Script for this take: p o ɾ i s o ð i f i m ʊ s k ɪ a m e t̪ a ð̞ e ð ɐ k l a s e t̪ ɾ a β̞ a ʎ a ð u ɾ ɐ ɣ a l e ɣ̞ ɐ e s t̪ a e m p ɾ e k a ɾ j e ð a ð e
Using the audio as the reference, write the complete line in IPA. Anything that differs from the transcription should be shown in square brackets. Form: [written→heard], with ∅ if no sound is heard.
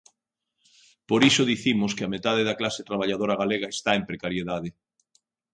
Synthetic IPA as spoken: p o ɾ i s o ð i [f→θ] i m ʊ s k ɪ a m e t̪ a ð̞ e ð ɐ k l a s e t̪ ɾ a β̞ a ʎ a ð [u→o] ɾ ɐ ɣ a l e ɣ̞ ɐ e s t̪ a e m p ɾ e k a ɾ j e ð a ð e